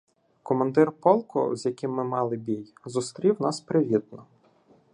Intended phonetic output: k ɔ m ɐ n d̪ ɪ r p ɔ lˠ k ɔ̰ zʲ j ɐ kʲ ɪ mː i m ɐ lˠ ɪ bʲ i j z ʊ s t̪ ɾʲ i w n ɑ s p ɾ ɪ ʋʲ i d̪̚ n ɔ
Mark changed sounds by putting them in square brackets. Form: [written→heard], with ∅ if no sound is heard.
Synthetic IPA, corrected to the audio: k ɔ m ɐ n d̪ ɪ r p ɔ lˠ k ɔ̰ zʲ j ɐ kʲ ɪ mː [i→ɪ] m [ɐ→ɑ] lˠ ɪ bʲ i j z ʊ s t̪ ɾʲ i w n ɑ s p ɾ ɪ ʋʲ i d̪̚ n ɔ